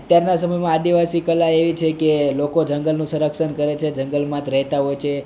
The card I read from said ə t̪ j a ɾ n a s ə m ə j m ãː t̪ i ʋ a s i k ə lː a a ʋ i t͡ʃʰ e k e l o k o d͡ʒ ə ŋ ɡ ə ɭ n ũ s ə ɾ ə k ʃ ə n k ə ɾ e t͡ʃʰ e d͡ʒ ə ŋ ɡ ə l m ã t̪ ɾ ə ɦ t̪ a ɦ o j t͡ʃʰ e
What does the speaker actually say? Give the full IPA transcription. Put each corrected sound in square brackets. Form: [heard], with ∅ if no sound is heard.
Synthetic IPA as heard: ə t̪ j a ɾ n a s ə m ə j m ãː [d̪] i ʋ a s i k ə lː a [e] ʋ i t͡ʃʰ e k e l o k o d͡ʒ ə ŋ ɡ ə [l] n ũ s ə ɾ ə k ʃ ə n k ə ɾ e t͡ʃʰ e d͡ʒ ə ŋ ɡ ə l m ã t̪ ɾ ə ɦ t̪ a ɦ o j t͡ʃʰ e

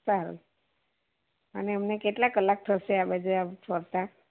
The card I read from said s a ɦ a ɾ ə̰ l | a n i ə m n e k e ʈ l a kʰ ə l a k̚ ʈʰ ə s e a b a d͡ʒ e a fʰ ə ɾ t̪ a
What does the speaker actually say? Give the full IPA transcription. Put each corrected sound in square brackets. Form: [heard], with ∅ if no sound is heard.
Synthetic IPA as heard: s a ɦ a ɾ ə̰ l | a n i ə m n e k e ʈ l a [k] ə l a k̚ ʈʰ ə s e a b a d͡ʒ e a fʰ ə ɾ t̪ a

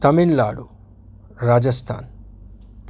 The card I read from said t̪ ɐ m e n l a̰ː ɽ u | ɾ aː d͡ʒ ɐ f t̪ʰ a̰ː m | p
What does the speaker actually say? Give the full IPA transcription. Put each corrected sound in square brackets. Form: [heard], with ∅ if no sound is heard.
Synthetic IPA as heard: t̪ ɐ m [i] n l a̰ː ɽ u | ɾ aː d͡ʒ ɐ [s] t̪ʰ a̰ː [n] | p

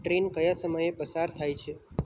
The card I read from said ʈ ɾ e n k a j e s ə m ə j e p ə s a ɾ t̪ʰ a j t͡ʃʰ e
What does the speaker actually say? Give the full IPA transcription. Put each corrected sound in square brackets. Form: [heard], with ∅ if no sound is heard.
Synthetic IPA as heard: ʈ ɾ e n k [ə] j [a] s ə m ə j e p ə s a ɾ t̪ʰ a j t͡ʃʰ e

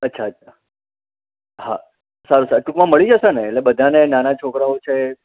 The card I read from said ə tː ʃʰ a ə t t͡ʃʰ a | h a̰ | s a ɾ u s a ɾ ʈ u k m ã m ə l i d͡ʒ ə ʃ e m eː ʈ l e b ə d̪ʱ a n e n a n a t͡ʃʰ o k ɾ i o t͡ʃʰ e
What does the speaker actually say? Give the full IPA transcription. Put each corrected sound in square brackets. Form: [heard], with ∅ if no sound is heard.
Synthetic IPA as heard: ə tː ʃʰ a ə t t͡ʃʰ a | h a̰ | s a ɾ u s a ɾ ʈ u k m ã m ə [ɭ] i d͡ʒ ə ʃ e [n] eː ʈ l e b ə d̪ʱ a n e n a n a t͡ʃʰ o k ɾ [a] o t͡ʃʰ e

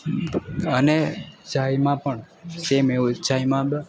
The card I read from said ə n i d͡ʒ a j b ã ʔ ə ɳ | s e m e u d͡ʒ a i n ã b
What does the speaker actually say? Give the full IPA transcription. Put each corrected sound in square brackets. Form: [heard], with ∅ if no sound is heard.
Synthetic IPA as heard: ə n [e] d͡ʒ a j [m] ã [p] ə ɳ | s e m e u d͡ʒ a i [m] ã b

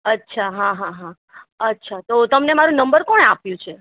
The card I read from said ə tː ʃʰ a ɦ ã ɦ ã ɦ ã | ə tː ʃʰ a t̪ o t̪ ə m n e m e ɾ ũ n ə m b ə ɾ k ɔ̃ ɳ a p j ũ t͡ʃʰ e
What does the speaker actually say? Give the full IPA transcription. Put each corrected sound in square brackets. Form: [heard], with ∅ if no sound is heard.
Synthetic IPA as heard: ə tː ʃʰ a ɦ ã ɦ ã ɦ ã | ə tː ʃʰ a t̪ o t̪ ə m n e m [a] ɾ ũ n ə m b ə ɾ k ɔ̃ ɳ a p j ũ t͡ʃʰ e

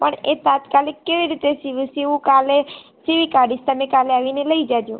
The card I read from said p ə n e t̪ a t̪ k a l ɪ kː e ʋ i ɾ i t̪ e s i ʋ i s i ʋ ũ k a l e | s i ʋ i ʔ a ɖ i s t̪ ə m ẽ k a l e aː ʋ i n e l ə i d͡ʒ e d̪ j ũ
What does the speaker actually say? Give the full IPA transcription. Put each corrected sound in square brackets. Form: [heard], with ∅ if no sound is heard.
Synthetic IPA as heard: p ə [ɳ] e t̪ a t̪ k a l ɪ kː e ʋ i ɾ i t̪ e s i ʋ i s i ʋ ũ k a l e | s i ʋ i [k] a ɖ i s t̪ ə m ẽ k a l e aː ʋ i n e l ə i d͡ʒ [a] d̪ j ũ

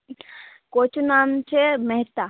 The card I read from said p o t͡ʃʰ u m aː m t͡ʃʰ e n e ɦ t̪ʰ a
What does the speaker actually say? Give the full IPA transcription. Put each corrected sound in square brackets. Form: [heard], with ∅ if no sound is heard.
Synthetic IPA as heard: [k] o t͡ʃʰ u [n] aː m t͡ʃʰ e [m] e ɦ [t̪] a

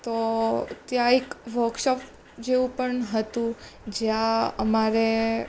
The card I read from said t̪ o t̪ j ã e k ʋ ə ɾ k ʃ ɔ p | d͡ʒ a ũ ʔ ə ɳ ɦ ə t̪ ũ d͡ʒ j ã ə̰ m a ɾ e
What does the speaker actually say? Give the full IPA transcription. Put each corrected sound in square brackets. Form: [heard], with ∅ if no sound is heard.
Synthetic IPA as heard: t̪ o t̪ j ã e k ʋ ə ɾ k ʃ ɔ p | d͡ʒ [e] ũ [p] ə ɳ ɦ ə t̪ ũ d͡ʒ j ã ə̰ m a ɾ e

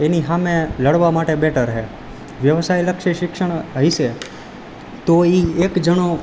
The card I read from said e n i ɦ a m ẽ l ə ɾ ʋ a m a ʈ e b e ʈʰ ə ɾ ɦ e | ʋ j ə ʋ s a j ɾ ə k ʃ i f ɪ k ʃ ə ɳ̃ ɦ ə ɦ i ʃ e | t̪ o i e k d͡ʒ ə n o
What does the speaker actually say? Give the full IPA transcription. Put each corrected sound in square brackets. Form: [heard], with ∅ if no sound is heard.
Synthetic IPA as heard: e n i ɦ a m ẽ l ə [ɽ] ʋ a m a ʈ e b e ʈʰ ə ɾ ɦ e | ʋ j ə ʋ s a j [l] ə k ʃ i [ʃ] ɪ k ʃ ə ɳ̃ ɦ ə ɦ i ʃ e | t̪ o i e k d͡ʒ ə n o

